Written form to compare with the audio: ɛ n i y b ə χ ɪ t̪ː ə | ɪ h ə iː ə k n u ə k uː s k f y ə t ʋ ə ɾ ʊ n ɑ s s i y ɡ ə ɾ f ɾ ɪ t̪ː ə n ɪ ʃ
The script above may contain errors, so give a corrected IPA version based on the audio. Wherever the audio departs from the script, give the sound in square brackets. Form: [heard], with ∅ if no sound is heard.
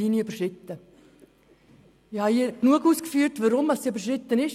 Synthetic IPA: [i] n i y b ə [ʃ] ɪ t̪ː ə | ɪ h [ɑ] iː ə k n u ə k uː s k f y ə t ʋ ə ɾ ʊ [m] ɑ s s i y [b] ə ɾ [ʃ] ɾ ɪ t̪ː ə n ɪ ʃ

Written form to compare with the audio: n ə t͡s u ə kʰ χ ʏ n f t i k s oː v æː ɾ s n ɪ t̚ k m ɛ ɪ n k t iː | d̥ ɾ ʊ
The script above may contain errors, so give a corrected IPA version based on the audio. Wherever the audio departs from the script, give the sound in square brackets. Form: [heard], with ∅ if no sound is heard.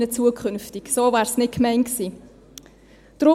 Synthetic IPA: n ə t͡s u ə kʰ χ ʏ n f t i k s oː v æː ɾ s n ɪ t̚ k m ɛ ɪ n k [s] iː | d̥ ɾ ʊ

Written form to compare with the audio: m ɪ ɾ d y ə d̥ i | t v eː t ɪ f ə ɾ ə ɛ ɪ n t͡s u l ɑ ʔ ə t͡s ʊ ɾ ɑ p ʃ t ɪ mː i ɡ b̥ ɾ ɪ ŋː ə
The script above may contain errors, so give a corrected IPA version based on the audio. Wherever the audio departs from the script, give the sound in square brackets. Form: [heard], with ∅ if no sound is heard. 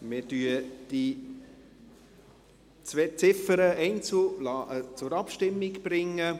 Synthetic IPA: m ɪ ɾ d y ə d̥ i | [t͡s] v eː [t͡s] ɪ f ə ɾ ə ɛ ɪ n t͡s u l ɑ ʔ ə t͡s ʊ ɾ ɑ p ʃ t ɪ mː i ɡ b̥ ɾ ɪ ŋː ə

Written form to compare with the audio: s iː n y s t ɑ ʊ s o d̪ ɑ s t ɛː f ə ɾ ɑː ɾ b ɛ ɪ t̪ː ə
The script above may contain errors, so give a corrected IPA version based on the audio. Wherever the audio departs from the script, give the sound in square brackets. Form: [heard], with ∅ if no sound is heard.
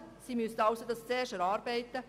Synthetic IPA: s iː [m] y s t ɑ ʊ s o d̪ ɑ s [t͡s] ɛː [ʃ] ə ɾ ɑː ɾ b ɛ ɪ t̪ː ə

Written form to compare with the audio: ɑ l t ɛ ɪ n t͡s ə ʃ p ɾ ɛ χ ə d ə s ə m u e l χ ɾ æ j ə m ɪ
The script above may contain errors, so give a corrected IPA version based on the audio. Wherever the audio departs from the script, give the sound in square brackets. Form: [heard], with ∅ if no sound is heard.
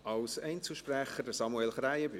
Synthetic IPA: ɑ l [s] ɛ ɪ n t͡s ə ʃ p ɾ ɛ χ ə d ə s [ɑ] m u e l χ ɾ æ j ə [b] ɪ

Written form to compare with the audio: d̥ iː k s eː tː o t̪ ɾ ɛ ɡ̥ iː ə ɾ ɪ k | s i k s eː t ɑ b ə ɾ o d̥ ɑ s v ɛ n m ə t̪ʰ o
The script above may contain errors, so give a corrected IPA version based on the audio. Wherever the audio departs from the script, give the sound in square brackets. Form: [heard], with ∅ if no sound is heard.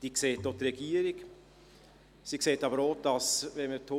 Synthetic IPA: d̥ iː k s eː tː o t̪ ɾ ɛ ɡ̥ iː ə ɾ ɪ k | s i k s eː t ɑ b ə ɾ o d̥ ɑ s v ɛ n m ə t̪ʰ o

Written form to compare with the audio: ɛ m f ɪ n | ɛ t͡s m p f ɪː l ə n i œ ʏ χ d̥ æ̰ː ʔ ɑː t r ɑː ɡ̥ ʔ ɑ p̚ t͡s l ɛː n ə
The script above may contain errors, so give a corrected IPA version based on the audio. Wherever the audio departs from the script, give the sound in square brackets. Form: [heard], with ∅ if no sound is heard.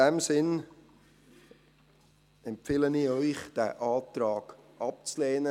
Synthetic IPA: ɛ m [s] ɪ n | ɛ [∅] m p f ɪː l ə n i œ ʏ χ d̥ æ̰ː ʔ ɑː t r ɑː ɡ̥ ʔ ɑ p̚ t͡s l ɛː n ə

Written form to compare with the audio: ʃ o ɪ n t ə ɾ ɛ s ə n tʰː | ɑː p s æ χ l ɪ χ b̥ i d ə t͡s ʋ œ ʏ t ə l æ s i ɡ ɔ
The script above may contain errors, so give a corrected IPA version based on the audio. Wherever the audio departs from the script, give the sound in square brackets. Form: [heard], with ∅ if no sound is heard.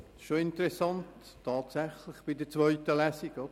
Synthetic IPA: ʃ o ɪ n t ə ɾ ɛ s [ɑ] n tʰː | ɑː [t] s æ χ l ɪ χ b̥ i d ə t͡s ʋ œ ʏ t ə l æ s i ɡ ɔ

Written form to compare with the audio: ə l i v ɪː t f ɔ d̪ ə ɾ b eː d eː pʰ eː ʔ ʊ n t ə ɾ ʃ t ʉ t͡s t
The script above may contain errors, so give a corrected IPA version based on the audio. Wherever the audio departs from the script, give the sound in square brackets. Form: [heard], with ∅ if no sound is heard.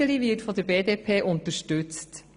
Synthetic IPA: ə l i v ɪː t f ɔ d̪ ə ɾ b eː d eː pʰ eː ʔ ʊ n t ə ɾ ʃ t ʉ t͡s t

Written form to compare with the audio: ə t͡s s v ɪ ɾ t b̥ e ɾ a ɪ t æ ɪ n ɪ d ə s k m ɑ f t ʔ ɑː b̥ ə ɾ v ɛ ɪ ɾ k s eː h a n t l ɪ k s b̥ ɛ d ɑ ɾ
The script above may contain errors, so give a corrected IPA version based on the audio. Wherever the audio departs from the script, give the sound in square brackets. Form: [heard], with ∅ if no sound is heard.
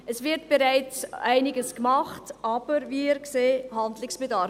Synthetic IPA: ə [∅] s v ɪ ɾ t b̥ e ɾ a ɪ [t͡s] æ ɪ n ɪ [ɡ] ə s k m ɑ [χ] t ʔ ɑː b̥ ə ɾ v [i] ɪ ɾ k s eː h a n [d] l ɪ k s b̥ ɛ d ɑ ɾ

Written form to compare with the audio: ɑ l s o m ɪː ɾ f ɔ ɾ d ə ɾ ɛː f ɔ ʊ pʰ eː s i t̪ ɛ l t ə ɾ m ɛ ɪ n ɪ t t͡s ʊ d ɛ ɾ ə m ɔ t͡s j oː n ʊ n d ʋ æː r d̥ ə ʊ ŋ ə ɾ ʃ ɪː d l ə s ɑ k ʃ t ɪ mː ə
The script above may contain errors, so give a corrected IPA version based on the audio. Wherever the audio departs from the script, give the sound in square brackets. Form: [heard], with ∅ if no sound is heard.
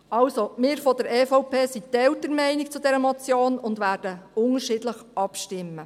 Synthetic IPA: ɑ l s o m ɪː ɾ f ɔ [∅] d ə ɾ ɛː f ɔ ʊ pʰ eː s i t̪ ɛ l t ə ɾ m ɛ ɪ n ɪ [k] t͡s ʊ d ɛ ɾ ə m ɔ t͡s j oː n ʊ n d ʋ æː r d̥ ə ʊ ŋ ə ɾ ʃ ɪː d l ə [χ] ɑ [p] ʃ t ɪ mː ə

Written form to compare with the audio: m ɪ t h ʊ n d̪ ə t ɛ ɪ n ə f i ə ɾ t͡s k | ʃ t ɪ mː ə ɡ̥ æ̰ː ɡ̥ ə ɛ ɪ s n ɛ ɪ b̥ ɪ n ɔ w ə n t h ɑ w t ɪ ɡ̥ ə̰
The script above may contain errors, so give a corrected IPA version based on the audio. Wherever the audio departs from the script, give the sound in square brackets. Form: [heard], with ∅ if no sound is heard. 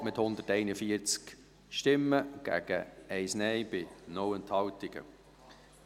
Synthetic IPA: m ɪ t h ʊ n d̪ ə t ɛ ɪ n ə f i ə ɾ t͡s k | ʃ t ɪ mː ə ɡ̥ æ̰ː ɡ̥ ə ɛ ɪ s n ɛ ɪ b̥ ɪ n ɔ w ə n t h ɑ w t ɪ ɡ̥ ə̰

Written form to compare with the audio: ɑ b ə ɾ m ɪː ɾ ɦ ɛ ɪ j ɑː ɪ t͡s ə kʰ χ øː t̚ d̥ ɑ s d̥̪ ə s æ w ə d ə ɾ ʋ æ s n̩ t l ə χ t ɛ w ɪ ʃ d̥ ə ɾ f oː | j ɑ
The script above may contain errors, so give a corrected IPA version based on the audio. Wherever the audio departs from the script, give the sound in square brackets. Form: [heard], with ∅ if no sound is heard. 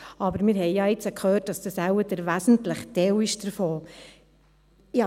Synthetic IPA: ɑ b ə ɾ m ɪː ɾ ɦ ɛ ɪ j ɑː ɪ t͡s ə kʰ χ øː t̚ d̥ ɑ s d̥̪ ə s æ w ə d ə ɾ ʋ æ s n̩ t l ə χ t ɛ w ɪ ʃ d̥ ə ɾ f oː | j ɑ

